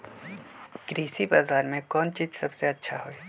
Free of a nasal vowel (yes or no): no